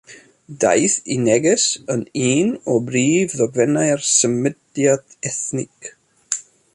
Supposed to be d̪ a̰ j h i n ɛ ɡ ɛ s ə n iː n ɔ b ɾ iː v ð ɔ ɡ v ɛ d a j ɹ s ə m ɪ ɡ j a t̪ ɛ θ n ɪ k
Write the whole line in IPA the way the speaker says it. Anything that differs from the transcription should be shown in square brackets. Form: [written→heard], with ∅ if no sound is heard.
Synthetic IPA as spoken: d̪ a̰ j [h→θ] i n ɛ ɡ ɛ s ə n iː n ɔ b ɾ iː v ð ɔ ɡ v ɛ [d→n] a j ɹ s ə m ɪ [ɡ→d] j a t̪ ɛ θ n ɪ k